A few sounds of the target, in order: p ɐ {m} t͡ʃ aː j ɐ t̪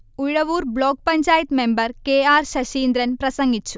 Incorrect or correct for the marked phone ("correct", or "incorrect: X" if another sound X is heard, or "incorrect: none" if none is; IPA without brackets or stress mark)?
incorrect: ɲ